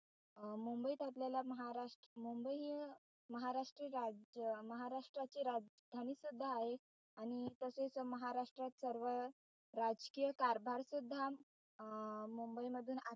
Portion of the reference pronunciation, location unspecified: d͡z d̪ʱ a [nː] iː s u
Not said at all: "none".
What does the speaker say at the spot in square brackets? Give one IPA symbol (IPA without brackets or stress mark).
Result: n